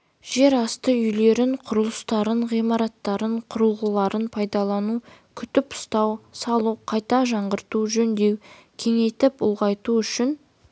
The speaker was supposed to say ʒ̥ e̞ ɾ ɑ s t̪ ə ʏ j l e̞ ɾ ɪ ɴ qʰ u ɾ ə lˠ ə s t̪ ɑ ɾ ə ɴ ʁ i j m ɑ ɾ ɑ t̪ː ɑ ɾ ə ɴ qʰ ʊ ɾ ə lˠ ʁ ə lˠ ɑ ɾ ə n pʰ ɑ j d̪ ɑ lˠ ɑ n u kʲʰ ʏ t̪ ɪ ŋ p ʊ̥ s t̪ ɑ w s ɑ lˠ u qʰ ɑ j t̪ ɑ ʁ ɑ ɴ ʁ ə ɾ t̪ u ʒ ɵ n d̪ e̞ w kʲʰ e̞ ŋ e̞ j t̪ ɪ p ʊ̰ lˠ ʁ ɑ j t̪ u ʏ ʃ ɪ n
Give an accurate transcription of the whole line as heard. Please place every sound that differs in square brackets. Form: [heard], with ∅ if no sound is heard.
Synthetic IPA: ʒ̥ e̞ ɾ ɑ s t̪ ə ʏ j l e̞ ɾ ɪ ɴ qʰ [ʊ] ɾ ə lˠ ə s t̪ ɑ ɾ ə ɴ ʁ i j m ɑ ɾ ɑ t̪ː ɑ ɾ ə ɴ qʰ ʊ ɾ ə lˠ ʁ ə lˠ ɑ ɾ ə n pʰ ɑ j d̪ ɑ lˠ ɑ n u kʲʰ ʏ t̪ ɪ [∅] p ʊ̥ s t̪ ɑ w s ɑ lˠ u qʰ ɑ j t̪ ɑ [ʒ] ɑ ɴ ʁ ə ɾ t̪ u ʒ ɵ n d̪ e̞ w kʲʰ e̞ ŋ e̞ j t̪ ɪ p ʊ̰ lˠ ʁ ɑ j t̪ u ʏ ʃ ɪ n